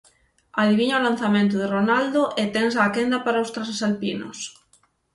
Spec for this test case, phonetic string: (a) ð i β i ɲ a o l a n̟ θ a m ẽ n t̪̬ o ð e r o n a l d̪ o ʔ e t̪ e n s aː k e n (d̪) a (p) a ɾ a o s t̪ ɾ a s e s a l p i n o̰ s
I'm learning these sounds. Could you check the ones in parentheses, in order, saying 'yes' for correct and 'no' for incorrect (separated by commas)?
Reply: yes, yes, yes